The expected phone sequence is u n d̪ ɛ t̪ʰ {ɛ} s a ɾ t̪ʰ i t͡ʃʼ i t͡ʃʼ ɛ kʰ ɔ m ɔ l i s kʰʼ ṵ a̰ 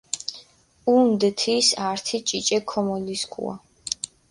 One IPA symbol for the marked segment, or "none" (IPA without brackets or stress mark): i